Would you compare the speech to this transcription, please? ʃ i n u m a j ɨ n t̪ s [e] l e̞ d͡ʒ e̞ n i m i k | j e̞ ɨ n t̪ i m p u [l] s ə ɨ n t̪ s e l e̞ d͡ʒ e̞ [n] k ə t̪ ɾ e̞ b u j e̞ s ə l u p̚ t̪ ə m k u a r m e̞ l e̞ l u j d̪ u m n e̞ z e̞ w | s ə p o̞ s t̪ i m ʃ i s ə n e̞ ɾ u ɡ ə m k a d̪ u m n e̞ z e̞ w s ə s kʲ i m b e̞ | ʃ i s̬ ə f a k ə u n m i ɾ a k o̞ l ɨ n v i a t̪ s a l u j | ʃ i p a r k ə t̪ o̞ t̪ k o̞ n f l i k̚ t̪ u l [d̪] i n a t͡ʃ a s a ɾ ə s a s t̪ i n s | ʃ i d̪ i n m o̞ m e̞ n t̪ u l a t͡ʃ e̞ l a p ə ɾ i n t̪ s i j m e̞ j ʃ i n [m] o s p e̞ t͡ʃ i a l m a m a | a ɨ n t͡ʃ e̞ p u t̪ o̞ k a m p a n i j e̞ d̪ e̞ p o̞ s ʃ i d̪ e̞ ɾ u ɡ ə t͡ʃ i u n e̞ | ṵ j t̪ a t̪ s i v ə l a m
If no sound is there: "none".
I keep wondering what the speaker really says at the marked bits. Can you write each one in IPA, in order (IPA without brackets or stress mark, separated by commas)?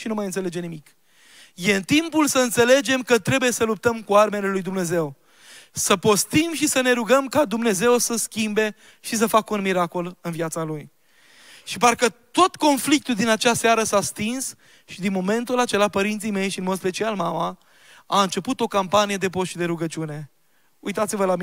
e, l, m, d̪, m